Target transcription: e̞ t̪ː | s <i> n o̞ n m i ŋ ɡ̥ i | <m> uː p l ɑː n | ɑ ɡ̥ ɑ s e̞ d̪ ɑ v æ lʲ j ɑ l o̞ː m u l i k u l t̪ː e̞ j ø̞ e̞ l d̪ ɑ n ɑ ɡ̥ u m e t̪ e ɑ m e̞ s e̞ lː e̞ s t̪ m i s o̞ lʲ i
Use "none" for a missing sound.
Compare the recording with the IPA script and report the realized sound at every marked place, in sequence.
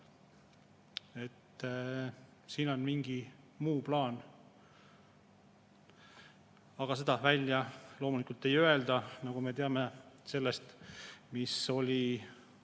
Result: iː, m

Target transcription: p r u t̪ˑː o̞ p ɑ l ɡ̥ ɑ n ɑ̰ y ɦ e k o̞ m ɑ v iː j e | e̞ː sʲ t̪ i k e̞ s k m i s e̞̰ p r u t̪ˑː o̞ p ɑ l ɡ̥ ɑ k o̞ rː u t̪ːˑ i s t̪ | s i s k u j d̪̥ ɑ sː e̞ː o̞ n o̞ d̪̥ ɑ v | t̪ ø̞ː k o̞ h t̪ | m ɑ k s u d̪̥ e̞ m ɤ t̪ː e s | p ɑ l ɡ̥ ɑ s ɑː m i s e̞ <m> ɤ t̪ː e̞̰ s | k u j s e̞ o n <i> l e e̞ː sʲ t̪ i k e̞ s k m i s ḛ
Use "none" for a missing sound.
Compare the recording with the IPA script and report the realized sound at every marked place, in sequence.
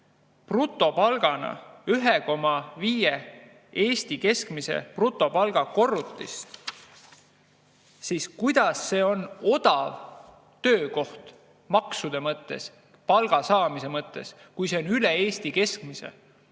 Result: m, y

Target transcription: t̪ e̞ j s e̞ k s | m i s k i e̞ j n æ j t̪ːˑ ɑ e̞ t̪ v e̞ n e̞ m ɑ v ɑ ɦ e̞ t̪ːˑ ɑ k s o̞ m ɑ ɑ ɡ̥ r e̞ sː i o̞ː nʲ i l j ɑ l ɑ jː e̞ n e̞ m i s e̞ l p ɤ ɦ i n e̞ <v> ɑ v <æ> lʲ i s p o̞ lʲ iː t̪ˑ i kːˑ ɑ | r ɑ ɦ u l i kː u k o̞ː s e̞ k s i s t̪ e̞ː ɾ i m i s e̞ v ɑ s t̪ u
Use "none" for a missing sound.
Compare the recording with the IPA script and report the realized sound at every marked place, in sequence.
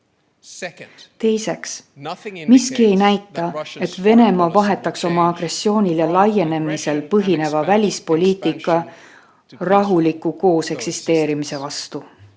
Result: v, æ

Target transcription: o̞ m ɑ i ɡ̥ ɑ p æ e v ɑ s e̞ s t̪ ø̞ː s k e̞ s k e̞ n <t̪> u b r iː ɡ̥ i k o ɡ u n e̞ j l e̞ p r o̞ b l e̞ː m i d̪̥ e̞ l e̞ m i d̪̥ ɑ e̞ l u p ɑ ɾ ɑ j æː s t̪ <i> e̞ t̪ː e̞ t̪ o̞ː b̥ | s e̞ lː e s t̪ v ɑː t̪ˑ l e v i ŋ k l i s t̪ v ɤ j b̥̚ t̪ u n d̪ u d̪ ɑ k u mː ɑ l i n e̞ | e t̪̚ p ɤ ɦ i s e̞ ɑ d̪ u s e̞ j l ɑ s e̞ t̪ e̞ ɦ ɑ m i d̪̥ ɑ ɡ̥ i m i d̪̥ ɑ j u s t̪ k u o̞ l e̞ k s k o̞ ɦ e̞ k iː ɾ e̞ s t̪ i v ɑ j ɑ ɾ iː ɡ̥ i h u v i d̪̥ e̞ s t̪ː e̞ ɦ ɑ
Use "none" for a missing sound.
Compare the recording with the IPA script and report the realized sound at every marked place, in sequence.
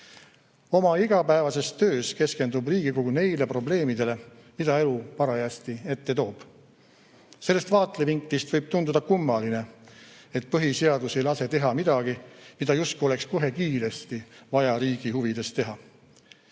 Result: d̪, i

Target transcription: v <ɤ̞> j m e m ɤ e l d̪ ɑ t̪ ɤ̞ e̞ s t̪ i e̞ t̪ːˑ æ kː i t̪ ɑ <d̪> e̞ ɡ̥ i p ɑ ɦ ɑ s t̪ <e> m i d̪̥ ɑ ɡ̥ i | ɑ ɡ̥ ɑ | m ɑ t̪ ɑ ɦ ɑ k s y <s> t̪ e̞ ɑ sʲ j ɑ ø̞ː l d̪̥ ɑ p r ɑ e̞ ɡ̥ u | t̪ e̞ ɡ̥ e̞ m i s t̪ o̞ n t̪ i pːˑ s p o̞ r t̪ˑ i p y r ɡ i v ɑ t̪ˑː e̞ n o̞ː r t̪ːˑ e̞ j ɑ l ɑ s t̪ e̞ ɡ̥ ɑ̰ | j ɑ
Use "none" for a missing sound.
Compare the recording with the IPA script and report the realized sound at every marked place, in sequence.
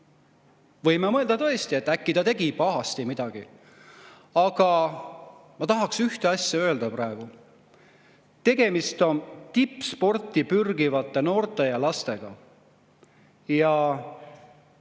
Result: ɤ̞, t̪, i, h

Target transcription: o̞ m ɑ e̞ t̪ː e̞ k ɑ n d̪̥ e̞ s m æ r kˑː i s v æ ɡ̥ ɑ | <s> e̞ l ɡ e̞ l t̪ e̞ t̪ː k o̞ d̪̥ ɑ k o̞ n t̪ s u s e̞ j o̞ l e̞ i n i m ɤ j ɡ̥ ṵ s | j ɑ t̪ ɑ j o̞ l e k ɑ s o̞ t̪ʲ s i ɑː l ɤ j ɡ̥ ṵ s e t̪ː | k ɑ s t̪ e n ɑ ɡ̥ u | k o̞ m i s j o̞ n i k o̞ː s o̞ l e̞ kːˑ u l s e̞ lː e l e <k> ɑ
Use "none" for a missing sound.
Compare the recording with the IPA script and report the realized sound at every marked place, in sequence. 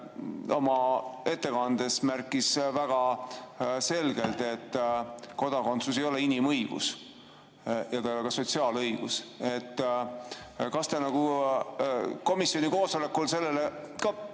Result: s, k

